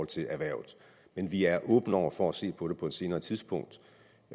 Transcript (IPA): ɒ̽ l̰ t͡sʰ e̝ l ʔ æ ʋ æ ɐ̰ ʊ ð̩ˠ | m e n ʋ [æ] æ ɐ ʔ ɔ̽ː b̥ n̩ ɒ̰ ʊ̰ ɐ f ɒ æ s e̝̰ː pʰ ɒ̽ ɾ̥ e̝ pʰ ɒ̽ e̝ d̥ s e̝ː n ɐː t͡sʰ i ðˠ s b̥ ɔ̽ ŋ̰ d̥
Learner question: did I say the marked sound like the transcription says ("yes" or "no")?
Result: no